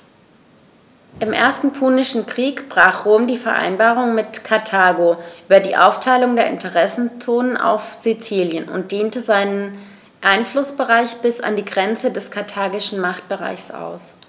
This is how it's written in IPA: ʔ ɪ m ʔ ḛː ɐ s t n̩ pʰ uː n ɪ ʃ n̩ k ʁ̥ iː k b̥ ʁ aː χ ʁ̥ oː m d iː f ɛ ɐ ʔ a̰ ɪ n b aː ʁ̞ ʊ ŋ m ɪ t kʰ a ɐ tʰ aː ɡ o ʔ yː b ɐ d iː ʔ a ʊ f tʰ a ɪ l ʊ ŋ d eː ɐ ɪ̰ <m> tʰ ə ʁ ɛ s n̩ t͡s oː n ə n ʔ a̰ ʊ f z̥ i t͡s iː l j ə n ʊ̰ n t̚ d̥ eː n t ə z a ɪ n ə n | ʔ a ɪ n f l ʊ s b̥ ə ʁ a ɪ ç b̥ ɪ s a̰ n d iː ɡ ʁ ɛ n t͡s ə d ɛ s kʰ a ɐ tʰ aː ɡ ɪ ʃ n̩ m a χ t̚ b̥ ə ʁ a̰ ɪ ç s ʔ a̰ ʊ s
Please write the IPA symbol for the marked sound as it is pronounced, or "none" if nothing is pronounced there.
n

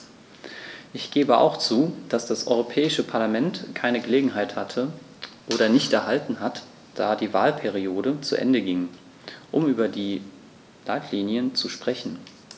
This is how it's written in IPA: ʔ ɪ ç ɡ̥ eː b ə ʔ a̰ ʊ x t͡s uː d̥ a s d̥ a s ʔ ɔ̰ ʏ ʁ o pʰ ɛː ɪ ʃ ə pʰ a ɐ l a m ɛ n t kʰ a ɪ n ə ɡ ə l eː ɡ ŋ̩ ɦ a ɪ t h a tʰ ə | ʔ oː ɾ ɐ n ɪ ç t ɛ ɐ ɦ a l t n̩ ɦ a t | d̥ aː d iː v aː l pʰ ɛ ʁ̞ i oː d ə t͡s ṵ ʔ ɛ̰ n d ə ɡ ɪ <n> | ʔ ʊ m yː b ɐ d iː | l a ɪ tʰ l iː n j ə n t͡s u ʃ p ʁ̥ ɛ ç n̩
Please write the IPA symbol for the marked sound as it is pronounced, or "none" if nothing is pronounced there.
ŋ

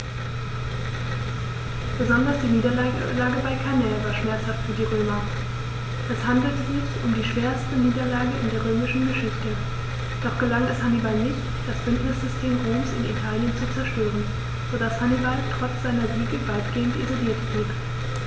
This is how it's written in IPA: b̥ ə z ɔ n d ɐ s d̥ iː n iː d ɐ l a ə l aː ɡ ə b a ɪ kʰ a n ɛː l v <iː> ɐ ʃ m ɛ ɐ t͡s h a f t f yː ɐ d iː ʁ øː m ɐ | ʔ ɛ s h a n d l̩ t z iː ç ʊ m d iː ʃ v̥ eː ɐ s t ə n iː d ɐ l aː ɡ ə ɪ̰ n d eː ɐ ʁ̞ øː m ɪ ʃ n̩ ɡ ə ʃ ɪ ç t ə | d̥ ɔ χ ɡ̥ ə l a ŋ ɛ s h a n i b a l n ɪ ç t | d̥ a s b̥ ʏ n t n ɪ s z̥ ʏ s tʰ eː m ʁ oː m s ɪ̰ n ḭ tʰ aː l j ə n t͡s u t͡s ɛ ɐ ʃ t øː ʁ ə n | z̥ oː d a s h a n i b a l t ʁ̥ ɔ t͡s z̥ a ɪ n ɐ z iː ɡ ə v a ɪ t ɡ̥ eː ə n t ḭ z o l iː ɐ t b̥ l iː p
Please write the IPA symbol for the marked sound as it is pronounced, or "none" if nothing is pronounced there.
aː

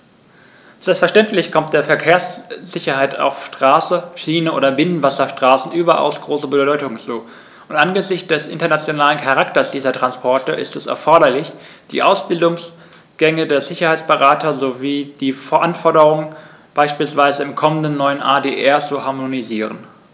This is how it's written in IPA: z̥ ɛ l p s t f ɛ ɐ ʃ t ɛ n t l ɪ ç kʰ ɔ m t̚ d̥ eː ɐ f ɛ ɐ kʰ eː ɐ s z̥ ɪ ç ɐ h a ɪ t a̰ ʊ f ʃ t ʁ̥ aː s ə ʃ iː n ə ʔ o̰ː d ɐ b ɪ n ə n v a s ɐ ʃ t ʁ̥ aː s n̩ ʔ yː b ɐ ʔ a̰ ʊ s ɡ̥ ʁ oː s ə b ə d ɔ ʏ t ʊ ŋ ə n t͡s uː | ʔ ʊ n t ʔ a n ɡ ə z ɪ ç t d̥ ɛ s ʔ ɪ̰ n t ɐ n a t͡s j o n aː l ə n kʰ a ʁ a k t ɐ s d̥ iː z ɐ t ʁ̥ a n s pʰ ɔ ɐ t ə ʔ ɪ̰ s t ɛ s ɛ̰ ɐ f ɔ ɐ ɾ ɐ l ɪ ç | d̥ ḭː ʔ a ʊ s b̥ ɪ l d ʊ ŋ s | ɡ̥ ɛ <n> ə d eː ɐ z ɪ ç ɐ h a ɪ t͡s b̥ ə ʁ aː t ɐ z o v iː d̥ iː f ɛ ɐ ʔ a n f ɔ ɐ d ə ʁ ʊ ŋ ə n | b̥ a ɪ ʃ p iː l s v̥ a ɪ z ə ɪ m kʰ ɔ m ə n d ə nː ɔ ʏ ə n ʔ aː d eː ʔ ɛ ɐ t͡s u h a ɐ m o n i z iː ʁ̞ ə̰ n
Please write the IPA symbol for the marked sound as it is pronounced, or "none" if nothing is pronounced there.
ŋ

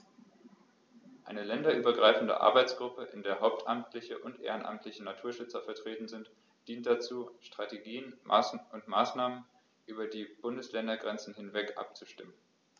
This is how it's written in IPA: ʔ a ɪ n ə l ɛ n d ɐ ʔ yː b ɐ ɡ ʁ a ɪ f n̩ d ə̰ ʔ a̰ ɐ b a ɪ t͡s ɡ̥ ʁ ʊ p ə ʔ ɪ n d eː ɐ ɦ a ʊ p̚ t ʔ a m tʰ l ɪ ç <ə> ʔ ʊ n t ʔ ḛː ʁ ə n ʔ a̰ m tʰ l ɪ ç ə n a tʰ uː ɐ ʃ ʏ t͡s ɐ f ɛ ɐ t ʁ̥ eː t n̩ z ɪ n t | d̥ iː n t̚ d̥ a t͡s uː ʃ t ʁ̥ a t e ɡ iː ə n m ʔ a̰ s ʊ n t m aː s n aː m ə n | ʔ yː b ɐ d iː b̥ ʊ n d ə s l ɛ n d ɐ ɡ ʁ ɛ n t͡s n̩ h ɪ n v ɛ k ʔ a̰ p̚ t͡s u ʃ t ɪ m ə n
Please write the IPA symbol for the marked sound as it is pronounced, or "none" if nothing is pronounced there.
ə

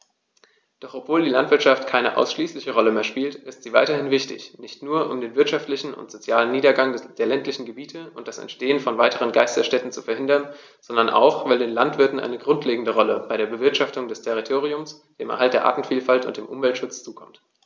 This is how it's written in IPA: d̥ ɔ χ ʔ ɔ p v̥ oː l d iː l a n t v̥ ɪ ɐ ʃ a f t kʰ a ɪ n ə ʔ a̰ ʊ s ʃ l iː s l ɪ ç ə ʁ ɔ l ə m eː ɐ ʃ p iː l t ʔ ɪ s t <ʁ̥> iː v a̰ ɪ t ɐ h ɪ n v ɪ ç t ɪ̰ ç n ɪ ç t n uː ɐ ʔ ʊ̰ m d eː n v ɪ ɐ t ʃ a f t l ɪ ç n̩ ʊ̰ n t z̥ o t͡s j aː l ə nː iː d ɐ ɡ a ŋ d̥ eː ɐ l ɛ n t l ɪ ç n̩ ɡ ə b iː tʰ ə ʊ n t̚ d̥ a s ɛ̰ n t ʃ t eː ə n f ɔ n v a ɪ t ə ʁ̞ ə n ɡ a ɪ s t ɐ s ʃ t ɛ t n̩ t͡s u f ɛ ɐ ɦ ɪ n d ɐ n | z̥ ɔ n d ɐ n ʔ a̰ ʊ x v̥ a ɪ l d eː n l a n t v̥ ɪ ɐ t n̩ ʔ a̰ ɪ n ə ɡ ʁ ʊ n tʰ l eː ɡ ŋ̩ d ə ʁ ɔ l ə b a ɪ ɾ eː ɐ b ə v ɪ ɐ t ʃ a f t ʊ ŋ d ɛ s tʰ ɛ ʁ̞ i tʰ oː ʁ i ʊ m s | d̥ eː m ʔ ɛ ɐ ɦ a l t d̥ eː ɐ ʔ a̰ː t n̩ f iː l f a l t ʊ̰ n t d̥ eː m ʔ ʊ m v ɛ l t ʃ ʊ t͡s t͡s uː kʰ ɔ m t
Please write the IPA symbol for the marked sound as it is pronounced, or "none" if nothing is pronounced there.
z̥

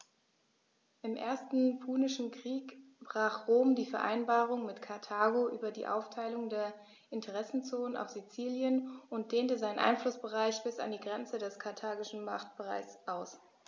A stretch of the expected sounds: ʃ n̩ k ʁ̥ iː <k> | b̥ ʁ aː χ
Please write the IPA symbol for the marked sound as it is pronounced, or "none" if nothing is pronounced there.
k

